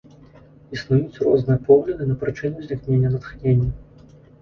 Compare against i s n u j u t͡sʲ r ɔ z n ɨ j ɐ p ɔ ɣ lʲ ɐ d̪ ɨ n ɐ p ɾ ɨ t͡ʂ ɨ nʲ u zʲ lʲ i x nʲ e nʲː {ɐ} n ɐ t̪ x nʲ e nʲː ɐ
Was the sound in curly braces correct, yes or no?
yes